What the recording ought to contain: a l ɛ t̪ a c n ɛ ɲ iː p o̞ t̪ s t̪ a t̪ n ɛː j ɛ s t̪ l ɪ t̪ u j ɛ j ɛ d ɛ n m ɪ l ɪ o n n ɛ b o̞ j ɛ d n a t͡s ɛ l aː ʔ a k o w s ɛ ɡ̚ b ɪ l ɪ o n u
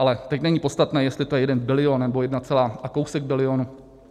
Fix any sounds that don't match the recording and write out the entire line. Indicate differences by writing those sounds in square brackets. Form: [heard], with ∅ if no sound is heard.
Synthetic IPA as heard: a l ɛ t̪ [ɛ] c n ɛ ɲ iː p o̞ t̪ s t̪ a t̪ n ɛː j ɛ s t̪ l ɪ t̪ [o] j ɛ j ɛ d ɛ n [b] ɪ l ɪ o n n ɛ b o̞ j ɛ d n a t͡s ɛ l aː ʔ a k o w s ɛ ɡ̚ b ɪ l ɪ o n u

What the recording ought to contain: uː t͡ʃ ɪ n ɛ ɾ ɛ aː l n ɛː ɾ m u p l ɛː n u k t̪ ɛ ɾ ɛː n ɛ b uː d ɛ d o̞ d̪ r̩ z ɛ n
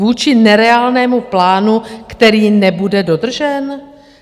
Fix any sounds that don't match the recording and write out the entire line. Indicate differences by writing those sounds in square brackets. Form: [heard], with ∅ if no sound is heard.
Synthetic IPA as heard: uː t͡ʃ ɪ n ɛ ɾ ɛ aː l n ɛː [∅] m u p l [aː] n u k t̪ ɛ ɾ [iː] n ɛ b [u] d ɛ d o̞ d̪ r̩ [ʒ] ɛ n

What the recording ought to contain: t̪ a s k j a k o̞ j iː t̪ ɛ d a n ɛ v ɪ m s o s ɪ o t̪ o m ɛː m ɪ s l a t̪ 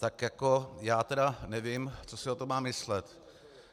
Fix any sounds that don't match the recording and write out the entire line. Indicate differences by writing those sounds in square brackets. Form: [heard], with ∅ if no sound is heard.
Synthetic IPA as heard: t̪ a [∅] k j a k o̞ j [aː] t̪ ɛ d a n ɛ v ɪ m [t͡s] o s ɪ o t̪ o m [aː] m ɪ s l [ɛ] t̪

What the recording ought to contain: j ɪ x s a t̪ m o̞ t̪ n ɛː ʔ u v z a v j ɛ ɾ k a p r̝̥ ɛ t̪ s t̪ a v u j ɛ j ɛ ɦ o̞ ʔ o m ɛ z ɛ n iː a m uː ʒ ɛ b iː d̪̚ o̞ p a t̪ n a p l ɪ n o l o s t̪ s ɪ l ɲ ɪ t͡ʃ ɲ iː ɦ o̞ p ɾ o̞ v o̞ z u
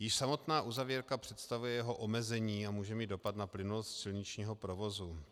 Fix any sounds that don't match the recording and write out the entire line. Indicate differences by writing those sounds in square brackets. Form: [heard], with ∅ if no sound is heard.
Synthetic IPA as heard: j ɪ [ʃ] s a [∅] m o̞ t̪ n [aː] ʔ u [∅] z a v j ɛ ɾ k a p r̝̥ ɛ t̪ s t̪ a v u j ɛ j ɛ ɦ o̞ ʔ o m ɛ z ɛ [ɲ] iː a m uː ʒ ɛ [m] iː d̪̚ o̞ p a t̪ n a p l ɪ n [u] l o s t̪ s ɪ l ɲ ɪ t͡ʃ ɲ iː ɦ o̞ p ɾ o̞ v o̞ z u

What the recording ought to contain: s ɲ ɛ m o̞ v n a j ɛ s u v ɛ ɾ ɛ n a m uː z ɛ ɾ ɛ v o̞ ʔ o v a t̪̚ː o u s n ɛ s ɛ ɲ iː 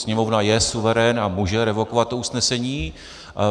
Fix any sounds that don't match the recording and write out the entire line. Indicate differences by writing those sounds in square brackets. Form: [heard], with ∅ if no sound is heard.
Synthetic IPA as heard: s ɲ ɛ m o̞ v n a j ɛ s u v ɛ ɾ ɛ n a m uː [ʒ] ɛ ɾ ɛ v o̞ [k] o v a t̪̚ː o u s n ɛ s ɛ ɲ iː

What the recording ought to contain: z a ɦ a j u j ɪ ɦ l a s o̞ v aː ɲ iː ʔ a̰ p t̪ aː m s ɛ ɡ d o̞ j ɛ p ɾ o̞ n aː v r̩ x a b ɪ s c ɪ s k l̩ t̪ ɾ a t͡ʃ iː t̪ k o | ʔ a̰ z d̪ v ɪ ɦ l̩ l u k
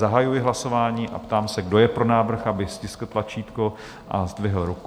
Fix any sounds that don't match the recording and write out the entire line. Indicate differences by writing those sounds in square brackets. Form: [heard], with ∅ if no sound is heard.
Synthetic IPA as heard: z a ɦ a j u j ɪ ɦ l a s o̞ v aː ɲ iː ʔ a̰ p t̪ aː m s ɛ ɡ d o̞ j ɛ p ɾ o̞ n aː v r̩ x a b ɪ s c ɪ s k l̩ t̪ [l] a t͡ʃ iː t̪ k o | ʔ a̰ z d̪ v ɪ ɦ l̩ [ɾ] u k

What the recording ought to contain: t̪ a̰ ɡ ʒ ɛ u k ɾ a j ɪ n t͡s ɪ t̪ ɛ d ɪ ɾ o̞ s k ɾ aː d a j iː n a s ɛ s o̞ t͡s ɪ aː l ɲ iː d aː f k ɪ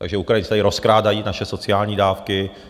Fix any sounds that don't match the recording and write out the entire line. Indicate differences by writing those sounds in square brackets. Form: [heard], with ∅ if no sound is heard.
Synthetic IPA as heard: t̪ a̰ ɡ ʒ ɛ u k ɾ a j ɪ n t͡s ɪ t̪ [a] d ɪ ɾ o̞ s k ɾ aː d a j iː n a [ʃ] ɛ s o̞ t͡s ɪ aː l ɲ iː d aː f k ɪ

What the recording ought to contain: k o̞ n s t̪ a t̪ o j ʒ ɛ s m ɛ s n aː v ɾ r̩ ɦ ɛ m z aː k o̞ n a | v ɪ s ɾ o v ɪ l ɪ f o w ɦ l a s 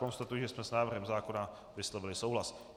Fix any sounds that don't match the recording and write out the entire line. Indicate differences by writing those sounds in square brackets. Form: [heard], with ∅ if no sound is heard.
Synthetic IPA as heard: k o̞ n s t̪ a t̪ [u] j ʒ ɛ s m ɛ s n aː v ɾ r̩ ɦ ɛ m z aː k o̞ n a | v ɪ s [l] o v ɪ l ɪ [s] o w ɦ l a s

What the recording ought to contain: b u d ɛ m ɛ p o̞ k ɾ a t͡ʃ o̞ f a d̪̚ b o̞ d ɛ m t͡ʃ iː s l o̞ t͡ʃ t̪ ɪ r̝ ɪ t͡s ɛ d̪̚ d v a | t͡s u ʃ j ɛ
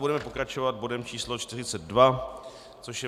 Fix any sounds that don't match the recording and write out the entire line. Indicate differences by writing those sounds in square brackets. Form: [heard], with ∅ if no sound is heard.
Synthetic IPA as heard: b u d ɛ m ɛ p o̞ k ɾ a t͡ʃ o̞ [v] a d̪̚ b o̞ d ɛ m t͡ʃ iː s l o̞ t͡ʃ t̪ ɪ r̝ ɪ t͡s ɛ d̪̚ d v a | t͡s [o] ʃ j ɛ

